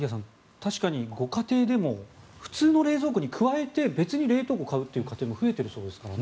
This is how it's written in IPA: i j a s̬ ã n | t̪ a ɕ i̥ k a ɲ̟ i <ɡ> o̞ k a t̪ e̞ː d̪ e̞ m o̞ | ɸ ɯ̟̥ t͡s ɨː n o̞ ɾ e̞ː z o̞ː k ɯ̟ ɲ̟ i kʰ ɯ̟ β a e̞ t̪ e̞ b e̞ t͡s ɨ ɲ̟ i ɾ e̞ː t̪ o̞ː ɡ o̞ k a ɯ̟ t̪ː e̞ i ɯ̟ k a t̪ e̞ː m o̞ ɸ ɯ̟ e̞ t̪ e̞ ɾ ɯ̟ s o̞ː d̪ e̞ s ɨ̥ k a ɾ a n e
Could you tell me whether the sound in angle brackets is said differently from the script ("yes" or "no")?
no